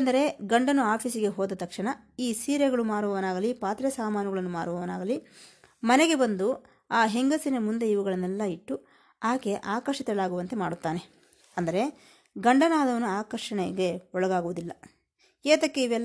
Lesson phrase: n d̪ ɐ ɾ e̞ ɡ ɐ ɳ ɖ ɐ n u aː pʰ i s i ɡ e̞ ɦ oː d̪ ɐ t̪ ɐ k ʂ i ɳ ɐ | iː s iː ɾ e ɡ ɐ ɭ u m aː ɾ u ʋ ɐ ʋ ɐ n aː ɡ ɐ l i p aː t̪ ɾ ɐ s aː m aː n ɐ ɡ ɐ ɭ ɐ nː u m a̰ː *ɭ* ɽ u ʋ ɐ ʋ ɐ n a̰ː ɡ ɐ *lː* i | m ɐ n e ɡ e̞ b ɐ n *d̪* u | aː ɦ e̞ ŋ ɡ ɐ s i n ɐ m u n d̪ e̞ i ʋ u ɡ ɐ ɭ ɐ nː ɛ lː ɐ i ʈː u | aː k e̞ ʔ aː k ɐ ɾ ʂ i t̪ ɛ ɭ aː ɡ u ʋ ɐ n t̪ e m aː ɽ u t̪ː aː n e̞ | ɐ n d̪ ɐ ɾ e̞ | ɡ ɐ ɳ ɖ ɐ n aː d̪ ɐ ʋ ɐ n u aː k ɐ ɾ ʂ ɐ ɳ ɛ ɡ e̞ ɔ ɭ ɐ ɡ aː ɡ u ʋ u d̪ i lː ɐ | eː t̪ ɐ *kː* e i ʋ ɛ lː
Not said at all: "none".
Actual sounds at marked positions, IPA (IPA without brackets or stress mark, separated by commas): ɾ, l, d̪, kː